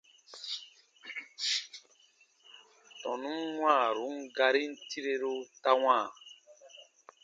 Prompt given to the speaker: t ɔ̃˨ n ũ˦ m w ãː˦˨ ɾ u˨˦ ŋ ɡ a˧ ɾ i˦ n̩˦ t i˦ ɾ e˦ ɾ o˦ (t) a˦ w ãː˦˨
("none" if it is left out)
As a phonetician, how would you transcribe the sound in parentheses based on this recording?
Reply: t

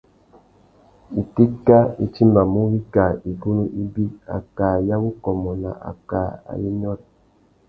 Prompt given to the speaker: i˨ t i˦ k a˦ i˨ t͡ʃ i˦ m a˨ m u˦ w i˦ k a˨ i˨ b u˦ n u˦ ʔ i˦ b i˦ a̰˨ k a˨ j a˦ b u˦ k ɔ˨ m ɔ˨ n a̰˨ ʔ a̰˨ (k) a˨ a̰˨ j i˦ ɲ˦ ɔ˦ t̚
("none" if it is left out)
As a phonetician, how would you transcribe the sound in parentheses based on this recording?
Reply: k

